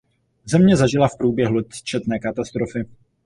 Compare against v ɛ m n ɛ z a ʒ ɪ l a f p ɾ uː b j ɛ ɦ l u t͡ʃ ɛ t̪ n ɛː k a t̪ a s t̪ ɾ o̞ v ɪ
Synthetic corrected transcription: z ɛ m ɲ ɛ z a ʒ ɪ l a f p ɾ uː b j ɛ ɦ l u t͡ʃ ɛ t̪ n ɛː k a t̪ a s t̪ ɾ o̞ f ɪ